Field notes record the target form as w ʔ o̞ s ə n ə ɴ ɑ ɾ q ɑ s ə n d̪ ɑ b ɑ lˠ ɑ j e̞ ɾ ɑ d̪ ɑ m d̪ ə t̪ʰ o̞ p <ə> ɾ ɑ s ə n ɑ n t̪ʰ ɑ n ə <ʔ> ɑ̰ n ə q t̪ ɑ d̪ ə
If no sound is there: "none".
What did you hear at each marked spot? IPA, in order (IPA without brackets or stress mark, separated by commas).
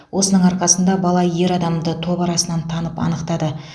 ɑ, p